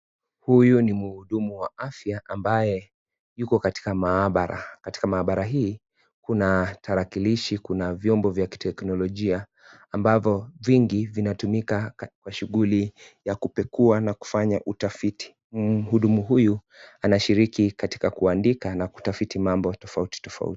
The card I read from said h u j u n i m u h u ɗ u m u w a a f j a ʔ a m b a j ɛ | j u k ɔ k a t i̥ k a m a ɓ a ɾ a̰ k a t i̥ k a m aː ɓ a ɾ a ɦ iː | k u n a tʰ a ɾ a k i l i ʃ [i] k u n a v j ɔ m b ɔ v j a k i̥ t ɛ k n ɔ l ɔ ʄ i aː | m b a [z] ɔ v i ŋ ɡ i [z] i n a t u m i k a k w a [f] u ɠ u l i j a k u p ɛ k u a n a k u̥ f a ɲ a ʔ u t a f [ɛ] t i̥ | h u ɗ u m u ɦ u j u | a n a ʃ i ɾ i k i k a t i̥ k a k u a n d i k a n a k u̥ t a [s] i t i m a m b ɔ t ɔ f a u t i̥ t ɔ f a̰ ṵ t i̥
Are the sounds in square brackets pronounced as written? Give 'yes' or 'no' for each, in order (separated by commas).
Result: yes, no, no, no, no, no